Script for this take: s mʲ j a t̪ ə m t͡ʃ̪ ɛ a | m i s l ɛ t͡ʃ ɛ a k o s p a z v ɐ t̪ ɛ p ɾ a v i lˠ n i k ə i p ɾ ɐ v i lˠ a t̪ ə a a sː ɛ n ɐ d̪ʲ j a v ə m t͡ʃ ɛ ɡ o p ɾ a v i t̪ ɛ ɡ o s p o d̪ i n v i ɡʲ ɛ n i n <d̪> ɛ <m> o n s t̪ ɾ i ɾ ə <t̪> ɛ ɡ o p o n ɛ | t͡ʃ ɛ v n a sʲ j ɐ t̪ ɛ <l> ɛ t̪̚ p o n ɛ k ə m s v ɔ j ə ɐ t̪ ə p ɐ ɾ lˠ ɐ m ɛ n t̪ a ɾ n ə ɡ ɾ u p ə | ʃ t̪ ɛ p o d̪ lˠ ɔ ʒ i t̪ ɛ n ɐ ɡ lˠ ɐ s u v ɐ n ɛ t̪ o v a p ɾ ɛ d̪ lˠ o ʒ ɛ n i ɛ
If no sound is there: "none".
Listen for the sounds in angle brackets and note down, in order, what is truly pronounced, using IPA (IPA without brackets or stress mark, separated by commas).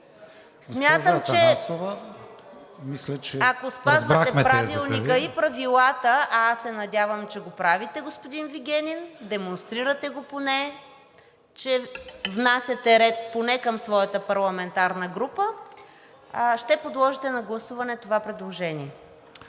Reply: d̪, m, t̪, ɾ